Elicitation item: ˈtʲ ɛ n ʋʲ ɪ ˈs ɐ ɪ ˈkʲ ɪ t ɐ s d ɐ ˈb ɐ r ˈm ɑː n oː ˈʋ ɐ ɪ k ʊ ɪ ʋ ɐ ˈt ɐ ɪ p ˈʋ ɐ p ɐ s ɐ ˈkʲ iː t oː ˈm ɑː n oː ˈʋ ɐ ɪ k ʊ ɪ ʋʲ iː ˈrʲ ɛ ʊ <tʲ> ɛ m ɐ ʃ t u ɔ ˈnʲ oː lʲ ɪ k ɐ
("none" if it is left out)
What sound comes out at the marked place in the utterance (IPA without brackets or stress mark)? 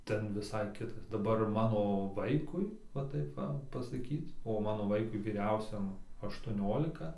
sʲ